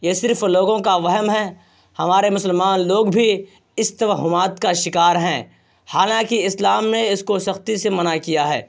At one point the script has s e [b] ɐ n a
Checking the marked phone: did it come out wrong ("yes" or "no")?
yes